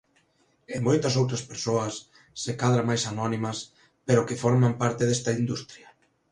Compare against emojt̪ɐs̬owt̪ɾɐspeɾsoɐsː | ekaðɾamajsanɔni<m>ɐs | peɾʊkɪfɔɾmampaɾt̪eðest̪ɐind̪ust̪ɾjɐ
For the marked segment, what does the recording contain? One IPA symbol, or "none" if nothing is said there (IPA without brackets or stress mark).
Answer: m